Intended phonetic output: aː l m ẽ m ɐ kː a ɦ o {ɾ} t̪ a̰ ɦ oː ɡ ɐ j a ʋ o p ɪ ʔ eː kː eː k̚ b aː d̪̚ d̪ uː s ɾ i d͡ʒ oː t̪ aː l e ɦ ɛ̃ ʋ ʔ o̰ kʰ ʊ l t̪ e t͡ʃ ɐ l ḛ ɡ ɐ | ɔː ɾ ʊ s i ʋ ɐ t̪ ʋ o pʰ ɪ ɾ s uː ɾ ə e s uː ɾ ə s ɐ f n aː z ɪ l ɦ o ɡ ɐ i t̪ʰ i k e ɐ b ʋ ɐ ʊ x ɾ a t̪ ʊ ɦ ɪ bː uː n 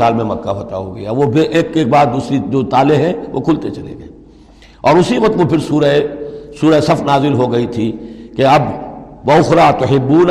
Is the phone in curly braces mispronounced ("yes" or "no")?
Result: yes